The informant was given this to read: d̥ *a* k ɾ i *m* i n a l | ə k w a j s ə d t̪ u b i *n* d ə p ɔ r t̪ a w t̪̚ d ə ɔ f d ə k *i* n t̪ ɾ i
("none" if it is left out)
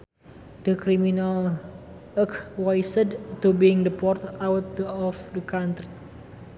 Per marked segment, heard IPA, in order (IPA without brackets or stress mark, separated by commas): ə, m, ŋ, a